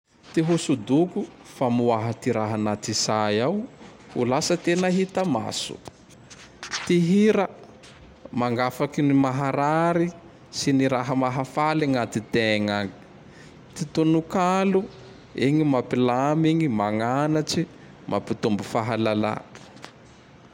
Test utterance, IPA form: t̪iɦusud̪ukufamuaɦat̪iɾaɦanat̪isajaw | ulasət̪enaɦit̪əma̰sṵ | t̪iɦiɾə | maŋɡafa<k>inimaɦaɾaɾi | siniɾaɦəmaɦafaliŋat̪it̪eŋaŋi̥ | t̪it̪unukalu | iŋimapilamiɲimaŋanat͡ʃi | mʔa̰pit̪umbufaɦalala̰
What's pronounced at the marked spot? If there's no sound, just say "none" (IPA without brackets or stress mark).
k